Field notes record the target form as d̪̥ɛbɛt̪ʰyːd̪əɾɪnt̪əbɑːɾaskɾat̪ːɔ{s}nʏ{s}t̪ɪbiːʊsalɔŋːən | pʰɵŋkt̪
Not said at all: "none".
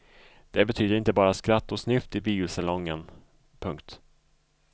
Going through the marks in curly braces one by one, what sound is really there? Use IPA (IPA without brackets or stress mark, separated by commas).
s, f